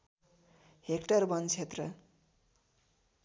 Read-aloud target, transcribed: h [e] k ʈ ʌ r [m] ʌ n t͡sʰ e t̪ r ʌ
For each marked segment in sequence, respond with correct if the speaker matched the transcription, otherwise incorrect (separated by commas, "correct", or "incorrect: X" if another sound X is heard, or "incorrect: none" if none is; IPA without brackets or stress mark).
correct, incorrect: b